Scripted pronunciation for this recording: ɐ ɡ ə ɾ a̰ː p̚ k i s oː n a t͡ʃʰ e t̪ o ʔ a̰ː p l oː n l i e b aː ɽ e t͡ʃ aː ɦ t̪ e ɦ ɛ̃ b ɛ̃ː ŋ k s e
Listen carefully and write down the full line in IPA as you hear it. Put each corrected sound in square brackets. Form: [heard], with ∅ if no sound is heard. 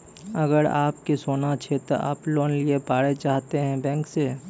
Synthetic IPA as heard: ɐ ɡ ə ɾ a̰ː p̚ k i s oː n a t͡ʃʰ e t̪ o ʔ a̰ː p l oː n l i e [p] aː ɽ e t͡ʃ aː ɦ t̪ e ɦ ɛ̃ b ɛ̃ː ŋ k s e

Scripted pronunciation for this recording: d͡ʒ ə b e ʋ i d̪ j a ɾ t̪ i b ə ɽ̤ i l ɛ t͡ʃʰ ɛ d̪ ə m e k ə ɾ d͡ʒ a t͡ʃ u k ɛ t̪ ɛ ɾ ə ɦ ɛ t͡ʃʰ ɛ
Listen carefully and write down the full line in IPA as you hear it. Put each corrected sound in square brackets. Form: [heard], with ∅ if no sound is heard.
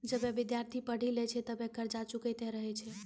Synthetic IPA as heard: d͡ʒ ə b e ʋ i d̪ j a ɾ [t̪ʰ] i [p] ə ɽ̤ i l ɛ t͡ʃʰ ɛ [t̪] ə [b] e k ə ɾ d͡ʒ a t͡ʃ u k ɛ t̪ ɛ ɾ ə ɦ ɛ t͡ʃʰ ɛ

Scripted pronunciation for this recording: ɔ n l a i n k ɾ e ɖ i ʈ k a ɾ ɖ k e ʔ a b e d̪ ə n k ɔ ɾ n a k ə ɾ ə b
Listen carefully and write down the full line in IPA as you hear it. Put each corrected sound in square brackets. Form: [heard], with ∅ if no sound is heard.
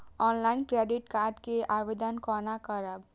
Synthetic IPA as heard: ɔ n l a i n k ɾ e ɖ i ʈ k a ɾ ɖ k e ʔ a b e d̪ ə n k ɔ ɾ n a k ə ɾ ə b

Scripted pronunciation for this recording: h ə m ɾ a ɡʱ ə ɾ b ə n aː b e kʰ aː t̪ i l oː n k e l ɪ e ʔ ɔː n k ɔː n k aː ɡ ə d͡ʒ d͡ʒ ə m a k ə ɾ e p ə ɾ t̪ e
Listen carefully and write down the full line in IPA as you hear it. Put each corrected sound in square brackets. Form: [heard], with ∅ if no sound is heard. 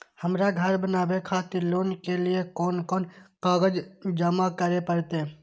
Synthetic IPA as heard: h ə m ɾ a ɡʱ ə ɾ b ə n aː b e kʰ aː t̪ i l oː n k e l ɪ e [k] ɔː n k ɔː n k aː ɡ ə d͡ʒ d͡ʒ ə m a k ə ɾ e p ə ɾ t̪ e

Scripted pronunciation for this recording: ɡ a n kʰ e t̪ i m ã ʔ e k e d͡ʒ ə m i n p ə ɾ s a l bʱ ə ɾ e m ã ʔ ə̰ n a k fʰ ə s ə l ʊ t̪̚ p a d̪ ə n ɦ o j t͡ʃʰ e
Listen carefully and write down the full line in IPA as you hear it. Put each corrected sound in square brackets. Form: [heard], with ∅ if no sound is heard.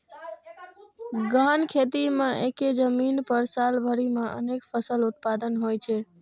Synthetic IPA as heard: ɡ a n kʰ e t̪ i m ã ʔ e k e d͡ʒ ə m i n p ə ɾ s a l bʱ ə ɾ [i] m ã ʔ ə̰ n [e] k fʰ ə s ə l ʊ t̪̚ p a d̪ ə n ɦ o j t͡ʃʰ e

